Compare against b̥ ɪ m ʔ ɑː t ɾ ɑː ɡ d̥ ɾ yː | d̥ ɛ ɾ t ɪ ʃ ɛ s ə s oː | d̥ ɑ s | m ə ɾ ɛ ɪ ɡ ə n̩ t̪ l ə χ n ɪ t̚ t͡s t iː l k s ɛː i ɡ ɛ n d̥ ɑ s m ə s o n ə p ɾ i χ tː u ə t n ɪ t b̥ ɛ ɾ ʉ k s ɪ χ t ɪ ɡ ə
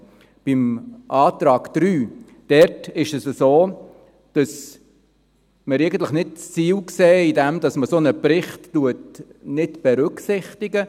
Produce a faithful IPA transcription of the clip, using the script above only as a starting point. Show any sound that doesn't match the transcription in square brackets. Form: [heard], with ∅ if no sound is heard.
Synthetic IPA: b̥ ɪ m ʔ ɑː t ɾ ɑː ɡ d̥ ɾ yː | d̥ ɛ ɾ t ɪ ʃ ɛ s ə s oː | d̥ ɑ s | m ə ɾ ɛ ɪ ɡ ə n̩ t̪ l ə χ n ɪ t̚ t͡s [t͡s] iː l k s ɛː i [d] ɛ [m] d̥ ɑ s m ə s o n ə p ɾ [ɪ] χ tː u ə t n ɪ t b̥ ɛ ɾ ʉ k s ɪ χ t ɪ ɡ ə